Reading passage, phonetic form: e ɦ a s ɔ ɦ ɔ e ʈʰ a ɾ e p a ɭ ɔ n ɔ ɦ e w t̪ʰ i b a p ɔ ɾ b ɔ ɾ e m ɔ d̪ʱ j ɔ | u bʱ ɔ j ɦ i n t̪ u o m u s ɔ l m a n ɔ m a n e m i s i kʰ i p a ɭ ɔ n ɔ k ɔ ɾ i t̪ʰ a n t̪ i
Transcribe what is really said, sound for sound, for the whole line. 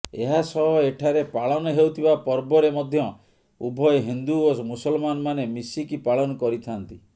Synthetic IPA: e ɦ a s ɔ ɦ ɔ e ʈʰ a ɾ e p a ɭ ɔ n ɔ ɦ e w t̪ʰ i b a p ɔ ɾ b ɔ ɾ e m ɔ d̪ʱ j ɔ | u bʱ ɔ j ɦ i n d̪ u o m u s ɔ l m a n ɔ m a n e m i s i k i p a ɭ ɔ n ɔ k ɔ ɾ i t̪ʰ a n t̪ i